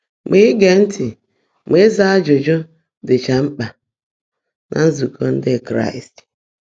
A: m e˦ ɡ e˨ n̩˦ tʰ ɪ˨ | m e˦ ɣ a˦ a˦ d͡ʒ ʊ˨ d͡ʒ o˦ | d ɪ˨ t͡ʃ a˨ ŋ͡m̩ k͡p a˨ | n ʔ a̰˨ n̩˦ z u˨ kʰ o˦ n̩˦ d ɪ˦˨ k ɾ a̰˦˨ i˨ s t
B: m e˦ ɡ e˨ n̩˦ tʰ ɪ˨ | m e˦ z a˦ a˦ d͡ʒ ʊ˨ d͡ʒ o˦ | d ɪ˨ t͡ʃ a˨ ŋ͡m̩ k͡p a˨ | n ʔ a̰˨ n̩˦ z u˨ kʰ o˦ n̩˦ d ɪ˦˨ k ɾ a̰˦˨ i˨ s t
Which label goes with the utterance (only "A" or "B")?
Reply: B